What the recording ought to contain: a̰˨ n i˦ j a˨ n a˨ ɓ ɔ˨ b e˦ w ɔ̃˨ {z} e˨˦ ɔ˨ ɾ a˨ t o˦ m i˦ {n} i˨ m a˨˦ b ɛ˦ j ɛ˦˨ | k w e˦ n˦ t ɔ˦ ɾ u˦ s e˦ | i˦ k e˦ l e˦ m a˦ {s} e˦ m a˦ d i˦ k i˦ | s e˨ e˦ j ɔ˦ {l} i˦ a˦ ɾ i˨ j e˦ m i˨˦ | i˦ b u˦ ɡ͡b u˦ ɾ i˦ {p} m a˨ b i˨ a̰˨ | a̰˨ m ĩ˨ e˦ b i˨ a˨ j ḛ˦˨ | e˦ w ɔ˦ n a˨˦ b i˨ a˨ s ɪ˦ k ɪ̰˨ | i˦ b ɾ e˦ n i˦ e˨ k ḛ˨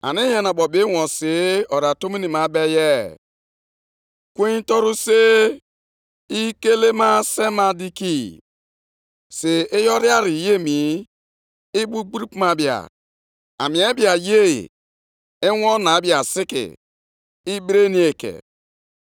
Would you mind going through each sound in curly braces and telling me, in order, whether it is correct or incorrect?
incorrect: s, correct, correct, incorrect: ɾ, correct

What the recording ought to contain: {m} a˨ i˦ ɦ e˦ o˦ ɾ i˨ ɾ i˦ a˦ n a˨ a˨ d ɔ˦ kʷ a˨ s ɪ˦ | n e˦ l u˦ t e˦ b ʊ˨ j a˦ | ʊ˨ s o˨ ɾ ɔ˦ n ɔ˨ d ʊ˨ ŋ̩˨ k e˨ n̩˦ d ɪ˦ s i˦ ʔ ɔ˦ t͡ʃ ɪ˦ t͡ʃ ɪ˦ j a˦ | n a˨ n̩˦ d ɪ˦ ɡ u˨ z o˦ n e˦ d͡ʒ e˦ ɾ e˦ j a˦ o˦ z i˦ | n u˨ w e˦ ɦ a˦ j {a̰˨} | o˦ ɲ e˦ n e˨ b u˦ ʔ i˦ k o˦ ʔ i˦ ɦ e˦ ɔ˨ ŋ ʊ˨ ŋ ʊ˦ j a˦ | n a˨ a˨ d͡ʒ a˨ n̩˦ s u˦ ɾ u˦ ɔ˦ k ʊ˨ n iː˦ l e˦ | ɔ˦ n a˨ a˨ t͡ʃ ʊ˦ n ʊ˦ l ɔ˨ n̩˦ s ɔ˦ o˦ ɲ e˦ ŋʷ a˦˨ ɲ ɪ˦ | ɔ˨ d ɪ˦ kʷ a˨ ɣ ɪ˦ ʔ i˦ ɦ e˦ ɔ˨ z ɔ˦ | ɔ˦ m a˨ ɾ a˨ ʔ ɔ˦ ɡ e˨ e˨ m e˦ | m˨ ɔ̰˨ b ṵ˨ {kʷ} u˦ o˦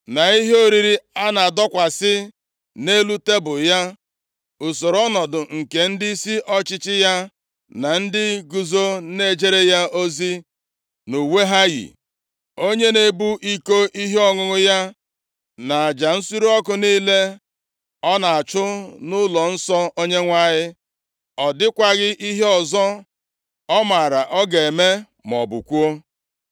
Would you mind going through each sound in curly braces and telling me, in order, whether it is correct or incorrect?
incorrect: n, incorrect: ḭ˨, correct

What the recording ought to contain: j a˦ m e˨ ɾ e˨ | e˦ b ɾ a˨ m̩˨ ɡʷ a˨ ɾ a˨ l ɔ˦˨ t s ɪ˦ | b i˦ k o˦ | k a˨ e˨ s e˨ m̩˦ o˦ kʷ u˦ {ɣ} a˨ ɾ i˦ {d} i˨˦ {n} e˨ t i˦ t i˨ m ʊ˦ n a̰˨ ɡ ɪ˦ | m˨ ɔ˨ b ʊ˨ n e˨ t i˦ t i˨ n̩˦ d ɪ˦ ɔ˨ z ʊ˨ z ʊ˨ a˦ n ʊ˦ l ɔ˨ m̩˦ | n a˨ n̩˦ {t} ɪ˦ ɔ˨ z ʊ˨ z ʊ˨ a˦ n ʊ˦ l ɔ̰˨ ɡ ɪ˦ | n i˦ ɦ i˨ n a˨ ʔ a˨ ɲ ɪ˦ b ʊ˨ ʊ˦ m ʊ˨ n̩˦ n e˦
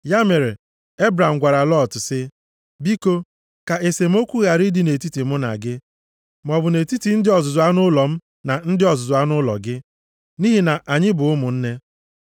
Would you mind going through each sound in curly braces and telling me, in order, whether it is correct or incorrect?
correct, correct, correct, incorrect: d

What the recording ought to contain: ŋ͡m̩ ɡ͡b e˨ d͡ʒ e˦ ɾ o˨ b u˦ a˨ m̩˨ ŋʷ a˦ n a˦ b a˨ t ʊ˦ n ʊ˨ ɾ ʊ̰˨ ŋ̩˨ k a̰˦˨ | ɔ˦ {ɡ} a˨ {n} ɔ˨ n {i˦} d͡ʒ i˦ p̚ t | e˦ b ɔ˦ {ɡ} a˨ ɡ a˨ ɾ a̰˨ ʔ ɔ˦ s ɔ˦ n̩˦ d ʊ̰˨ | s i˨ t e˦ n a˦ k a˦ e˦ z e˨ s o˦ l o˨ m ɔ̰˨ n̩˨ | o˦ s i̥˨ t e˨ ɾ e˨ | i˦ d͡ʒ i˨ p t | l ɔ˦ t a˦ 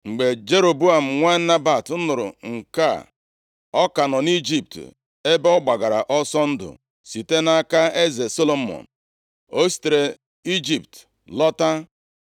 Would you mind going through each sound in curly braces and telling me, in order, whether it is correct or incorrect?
incorrect: k, correct, correct, incorrect: ɡ͡b

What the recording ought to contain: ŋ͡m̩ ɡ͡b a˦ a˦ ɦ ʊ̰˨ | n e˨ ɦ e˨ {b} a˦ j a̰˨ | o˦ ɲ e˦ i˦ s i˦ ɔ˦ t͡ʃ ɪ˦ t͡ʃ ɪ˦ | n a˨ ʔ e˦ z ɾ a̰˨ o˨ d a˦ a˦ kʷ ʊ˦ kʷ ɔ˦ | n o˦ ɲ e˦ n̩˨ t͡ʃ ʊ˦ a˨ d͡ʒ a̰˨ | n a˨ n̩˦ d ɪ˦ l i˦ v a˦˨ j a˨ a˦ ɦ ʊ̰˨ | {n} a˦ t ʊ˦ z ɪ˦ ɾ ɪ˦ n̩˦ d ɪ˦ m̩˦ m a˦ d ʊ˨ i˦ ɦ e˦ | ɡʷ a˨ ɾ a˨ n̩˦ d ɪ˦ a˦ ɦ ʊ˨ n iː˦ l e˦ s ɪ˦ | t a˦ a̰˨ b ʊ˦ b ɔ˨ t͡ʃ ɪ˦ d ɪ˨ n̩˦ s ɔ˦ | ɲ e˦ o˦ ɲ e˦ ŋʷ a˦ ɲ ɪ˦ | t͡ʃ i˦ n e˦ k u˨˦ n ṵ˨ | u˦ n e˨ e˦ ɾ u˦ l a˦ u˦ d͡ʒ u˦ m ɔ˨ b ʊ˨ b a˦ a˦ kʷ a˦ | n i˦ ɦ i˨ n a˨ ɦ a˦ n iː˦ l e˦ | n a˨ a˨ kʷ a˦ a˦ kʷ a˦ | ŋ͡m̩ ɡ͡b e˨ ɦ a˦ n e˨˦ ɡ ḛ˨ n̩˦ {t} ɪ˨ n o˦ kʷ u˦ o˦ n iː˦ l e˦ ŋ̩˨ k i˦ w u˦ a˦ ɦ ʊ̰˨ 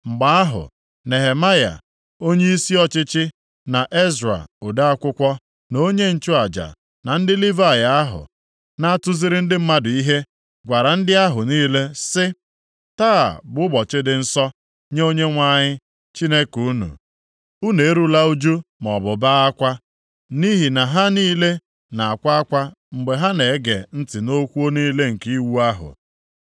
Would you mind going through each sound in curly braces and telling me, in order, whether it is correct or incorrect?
incorrect: m, correct, correct

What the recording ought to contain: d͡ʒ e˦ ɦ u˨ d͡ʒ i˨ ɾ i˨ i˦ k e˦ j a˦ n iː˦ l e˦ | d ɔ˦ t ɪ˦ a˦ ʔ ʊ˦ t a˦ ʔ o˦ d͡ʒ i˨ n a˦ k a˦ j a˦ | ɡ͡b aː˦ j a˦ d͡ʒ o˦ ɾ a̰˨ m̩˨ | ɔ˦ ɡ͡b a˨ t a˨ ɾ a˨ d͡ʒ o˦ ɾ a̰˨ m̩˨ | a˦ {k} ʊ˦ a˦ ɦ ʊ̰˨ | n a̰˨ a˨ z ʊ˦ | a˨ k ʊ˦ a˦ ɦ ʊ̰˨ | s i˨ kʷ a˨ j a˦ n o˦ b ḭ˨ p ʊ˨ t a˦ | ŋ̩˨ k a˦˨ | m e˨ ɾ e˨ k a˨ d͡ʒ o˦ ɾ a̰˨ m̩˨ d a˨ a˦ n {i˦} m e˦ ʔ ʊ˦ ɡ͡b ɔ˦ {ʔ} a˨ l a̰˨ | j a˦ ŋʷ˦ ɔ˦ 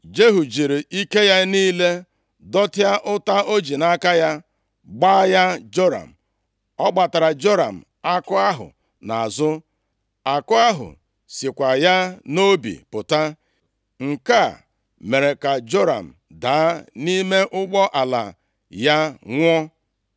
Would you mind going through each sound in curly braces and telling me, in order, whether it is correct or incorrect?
correct, correct, correct

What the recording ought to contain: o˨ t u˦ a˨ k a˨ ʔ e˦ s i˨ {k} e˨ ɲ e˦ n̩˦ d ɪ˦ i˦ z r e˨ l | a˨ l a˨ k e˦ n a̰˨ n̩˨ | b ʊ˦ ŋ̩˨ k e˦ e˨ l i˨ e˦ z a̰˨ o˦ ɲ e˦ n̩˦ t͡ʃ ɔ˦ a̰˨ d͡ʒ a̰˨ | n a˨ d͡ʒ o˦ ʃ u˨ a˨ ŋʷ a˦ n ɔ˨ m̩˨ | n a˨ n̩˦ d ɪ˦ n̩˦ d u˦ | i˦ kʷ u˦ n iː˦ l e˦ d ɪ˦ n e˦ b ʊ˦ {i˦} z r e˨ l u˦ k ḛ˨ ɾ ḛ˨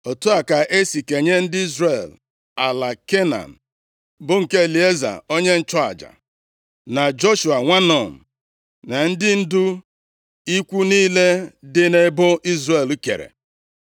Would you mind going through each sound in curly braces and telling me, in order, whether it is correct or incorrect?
correct, correct

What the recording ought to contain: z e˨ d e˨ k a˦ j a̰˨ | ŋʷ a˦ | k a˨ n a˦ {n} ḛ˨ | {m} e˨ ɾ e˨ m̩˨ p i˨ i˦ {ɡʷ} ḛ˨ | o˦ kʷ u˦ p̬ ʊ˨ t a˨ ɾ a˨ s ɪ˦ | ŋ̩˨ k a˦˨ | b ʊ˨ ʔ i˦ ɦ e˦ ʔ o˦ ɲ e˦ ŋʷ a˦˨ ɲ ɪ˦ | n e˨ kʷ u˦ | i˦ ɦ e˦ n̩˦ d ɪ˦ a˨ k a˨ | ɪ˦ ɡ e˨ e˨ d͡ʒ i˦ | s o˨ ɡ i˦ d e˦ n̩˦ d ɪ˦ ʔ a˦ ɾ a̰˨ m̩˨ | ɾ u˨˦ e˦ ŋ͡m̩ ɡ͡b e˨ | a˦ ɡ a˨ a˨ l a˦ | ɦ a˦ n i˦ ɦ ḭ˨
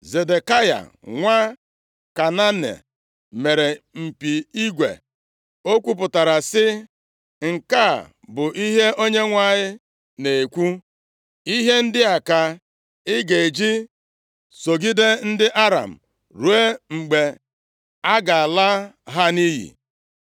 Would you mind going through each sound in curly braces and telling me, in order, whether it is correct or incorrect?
correct, correct, correct

